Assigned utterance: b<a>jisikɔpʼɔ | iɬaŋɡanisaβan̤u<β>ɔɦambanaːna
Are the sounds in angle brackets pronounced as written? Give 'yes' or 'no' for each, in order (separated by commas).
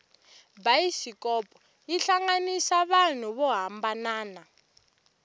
yes, yes